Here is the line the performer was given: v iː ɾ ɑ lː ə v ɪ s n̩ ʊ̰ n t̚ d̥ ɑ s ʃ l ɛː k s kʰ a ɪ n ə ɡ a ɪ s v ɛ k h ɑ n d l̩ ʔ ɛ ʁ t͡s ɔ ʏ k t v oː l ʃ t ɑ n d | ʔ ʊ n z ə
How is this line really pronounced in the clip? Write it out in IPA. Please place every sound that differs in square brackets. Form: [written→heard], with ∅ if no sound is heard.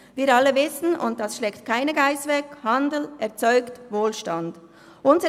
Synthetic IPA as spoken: v iː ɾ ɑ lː ə v ɪ s n̩ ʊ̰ n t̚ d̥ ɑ s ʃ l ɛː k [s→t] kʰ a ɪ n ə ɡ a ɪ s v ɛ k h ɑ n d l̩ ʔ ɛ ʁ t͡s ɔ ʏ k t v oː l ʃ t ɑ n d | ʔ ʊ n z ə